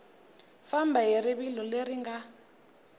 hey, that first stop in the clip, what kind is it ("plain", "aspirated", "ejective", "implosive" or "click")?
plain